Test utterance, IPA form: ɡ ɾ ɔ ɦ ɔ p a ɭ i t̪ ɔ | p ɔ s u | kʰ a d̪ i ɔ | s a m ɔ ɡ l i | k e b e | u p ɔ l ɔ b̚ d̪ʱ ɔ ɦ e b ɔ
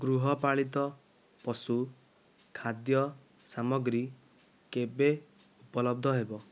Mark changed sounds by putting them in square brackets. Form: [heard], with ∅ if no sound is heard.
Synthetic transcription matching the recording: ɡ ɾ [u] ɦ ɔ p a ɭ i t̪ ɔ | p ɔ s u | kʰ a d̪ [j] ɔ | s a m ɔ ɡ [ɾ] i | k e b e | u p ɔ l ɔ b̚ d̪ʱ ɔ ɦ e b ɔ